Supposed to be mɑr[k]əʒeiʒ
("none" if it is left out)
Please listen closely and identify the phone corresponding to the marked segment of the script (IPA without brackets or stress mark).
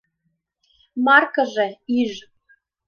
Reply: k